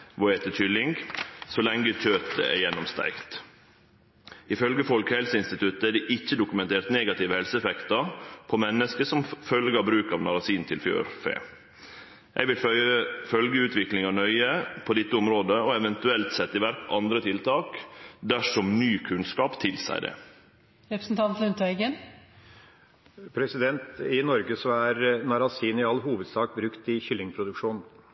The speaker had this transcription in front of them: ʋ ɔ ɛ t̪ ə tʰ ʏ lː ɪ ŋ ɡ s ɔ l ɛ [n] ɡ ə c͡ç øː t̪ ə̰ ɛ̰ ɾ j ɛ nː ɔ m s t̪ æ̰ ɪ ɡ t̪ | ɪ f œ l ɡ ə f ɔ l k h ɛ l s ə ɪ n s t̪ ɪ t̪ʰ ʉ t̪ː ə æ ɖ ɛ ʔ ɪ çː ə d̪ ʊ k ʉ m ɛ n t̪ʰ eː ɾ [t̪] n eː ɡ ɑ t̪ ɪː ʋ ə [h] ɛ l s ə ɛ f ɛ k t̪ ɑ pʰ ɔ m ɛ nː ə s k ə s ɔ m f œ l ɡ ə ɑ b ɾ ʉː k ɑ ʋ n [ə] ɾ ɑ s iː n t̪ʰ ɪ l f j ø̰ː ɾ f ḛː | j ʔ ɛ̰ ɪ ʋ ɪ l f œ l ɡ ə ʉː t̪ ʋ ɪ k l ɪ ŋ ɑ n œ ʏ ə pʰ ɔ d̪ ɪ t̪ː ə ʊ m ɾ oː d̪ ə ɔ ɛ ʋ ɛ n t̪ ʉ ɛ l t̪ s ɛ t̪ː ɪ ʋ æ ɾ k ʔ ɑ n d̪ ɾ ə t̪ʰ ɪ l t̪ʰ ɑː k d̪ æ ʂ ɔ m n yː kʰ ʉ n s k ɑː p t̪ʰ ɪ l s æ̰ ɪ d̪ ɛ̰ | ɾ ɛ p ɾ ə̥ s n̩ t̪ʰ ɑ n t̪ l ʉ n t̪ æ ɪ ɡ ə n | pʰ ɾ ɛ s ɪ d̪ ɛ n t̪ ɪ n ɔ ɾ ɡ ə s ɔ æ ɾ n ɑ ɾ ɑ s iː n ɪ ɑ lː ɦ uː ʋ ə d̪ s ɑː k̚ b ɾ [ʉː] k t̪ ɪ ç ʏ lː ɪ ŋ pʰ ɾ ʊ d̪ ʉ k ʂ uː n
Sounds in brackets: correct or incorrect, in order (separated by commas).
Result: incorrect, correct, correct, incorrect, incorrect